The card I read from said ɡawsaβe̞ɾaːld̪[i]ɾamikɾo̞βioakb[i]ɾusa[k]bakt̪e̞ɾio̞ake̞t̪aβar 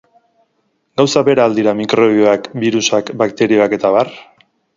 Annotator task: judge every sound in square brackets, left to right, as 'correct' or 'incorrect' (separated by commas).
correct, correct, correct